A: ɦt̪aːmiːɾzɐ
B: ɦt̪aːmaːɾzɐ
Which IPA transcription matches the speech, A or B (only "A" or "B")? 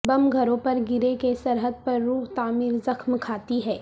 A